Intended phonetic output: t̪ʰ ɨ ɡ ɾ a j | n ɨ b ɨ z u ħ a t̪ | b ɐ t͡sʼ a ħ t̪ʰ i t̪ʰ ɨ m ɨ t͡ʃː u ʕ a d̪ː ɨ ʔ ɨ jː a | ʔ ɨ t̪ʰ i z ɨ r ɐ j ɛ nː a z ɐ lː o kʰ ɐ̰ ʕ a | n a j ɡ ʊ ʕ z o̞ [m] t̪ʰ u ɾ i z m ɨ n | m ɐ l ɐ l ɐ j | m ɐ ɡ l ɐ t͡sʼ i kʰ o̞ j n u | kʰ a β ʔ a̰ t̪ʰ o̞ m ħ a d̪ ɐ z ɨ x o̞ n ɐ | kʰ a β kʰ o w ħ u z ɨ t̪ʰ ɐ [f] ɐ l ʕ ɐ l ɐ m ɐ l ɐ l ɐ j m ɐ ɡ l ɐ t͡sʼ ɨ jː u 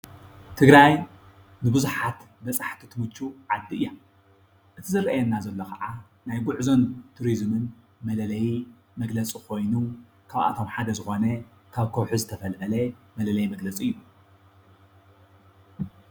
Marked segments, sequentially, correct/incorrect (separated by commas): incorrect, correct